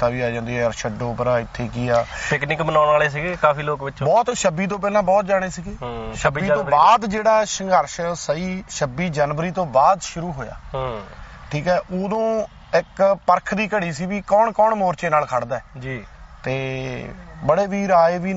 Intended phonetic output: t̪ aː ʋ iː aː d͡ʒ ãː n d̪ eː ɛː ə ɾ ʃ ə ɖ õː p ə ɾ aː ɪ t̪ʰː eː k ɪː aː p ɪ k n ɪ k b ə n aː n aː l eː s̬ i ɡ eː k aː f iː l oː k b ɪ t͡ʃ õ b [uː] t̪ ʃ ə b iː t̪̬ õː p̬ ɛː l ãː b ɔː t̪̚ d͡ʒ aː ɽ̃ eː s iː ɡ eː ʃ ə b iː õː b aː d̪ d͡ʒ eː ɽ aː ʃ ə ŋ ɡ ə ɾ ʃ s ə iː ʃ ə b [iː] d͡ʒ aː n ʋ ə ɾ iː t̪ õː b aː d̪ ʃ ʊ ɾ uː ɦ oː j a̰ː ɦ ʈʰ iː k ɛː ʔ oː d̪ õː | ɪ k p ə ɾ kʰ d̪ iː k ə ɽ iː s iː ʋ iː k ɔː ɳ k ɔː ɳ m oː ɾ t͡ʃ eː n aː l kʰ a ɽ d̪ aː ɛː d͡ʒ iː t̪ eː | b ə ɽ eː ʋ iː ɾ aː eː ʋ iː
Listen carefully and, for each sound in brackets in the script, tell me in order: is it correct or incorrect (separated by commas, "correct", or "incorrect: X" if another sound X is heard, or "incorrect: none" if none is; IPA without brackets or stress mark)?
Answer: incorrect: ɔː, correct